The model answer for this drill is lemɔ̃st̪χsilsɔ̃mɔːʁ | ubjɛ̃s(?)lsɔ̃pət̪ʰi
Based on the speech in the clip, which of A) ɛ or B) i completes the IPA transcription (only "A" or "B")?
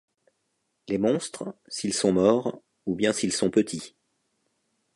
B